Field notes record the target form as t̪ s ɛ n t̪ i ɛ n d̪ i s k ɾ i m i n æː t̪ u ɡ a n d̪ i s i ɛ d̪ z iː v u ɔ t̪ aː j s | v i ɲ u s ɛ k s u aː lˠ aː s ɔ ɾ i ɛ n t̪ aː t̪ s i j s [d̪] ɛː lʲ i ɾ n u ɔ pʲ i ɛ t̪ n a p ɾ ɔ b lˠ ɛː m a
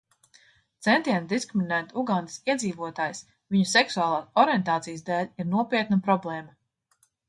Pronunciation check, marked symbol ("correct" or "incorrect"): correct